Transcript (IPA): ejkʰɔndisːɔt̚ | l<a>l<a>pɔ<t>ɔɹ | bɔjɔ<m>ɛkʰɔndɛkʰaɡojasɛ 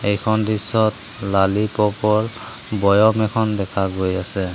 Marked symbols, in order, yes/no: yes, no, no, yes

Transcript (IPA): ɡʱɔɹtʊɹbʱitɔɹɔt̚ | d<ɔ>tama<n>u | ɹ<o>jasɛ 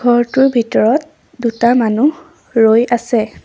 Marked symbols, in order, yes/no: no, yes, yes

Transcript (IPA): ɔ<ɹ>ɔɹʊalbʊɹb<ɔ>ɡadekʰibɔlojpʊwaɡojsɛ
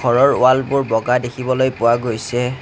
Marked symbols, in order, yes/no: yes, yes

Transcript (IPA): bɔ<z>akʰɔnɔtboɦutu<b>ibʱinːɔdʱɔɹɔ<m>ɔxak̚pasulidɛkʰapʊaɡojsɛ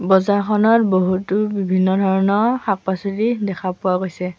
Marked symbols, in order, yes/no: yes, yes, no

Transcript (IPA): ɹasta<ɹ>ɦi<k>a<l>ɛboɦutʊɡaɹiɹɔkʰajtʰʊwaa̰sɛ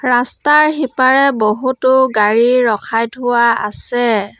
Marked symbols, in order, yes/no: yes, no, no

